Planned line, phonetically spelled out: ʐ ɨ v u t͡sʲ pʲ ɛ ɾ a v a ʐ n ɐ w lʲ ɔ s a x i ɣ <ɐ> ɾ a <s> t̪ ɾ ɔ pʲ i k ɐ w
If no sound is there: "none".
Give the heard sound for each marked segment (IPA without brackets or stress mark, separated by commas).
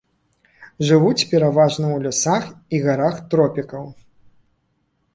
a, x